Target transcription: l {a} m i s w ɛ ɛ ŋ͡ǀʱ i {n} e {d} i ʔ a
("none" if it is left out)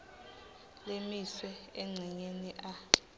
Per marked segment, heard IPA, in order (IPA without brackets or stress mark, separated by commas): e, ɲ, n